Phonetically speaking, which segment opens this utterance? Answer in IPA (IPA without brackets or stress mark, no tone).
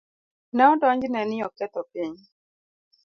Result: n